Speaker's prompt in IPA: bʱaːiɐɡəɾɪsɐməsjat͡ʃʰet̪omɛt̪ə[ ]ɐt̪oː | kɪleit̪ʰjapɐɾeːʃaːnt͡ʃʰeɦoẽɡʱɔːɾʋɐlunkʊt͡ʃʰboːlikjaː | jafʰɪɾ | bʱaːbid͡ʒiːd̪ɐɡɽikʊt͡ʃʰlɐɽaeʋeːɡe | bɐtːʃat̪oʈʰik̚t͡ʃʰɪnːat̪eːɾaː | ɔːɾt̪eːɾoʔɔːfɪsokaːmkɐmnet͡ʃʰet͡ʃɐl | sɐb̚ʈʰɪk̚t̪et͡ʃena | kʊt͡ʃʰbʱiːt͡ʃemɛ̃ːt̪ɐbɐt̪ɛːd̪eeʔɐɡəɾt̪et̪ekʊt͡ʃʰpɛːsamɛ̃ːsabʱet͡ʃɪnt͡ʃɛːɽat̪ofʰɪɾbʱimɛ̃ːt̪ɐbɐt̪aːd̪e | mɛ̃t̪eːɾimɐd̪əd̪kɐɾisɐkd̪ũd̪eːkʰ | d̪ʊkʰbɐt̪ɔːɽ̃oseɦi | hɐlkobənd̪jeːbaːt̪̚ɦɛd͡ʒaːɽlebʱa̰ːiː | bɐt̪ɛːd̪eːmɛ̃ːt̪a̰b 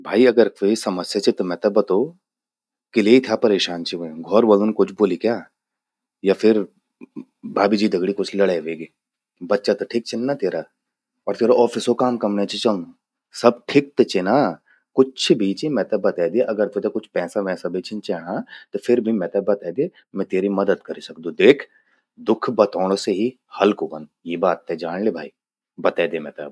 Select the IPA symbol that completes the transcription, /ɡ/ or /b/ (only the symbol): b